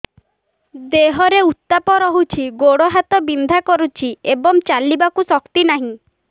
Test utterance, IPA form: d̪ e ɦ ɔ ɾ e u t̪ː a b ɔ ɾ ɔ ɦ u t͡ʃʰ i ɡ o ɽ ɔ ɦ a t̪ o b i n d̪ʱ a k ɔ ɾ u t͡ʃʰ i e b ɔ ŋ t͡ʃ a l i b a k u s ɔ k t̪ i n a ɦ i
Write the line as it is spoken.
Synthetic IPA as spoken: d̪ e ɦ ɔ ɾ e u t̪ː a p ɔ ɾ ɔ ɦ u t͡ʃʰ i ɡ o ɽ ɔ ɦ a t̪ ɔ b i n d̪ʱ a k ɔ ɾ u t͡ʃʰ i e b ɔ ŋ t͡ʃ a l i b a k u s ɔ k t̪ i n a ɦ ĩ